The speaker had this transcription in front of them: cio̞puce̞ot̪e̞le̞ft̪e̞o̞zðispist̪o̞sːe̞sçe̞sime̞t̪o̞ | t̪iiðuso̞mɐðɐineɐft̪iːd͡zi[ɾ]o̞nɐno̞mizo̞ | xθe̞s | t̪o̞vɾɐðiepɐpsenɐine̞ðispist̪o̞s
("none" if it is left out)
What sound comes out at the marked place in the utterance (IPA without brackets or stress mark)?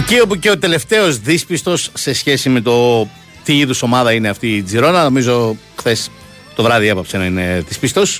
ɾ